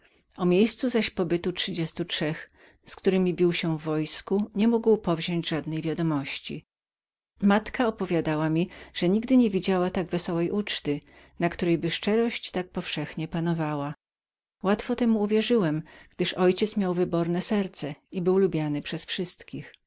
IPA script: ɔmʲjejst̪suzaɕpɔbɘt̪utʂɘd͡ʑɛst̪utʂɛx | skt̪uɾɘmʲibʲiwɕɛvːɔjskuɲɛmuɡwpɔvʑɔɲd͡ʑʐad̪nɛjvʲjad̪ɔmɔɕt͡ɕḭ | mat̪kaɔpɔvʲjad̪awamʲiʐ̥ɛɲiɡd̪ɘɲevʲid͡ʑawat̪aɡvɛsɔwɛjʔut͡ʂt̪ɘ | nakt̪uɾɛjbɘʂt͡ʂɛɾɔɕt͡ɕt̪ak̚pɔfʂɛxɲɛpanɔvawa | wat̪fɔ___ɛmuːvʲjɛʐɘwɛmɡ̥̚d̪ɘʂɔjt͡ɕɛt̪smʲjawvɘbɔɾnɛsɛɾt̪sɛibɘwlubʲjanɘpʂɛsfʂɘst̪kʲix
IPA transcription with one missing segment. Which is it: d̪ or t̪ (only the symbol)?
t̪